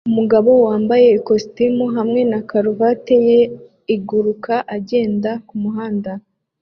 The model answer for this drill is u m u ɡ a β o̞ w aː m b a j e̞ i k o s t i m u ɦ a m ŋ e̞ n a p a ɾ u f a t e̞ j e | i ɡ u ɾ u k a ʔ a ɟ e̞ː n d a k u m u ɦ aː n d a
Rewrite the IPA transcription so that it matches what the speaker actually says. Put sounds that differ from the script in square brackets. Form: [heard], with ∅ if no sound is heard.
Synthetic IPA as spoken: u m u ɡ a β o̞ w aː m b a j e̞ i k o s t i m u ɦ a m ŋ e̞ n a [k] a ɾ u [v] a t e̞ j e | i ɡ u ɾ u k a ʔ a ɟ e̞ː n d a k u m u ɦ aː n d a